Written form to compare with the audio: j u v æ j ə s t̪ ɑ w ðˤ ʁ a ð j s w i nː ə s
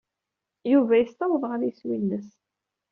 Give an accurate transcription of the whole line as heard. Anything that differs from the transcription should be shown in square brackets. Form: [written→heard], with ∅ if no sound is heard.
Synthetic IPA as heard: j u v æ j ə s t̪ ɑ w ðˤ ʁ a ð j s w i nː ə s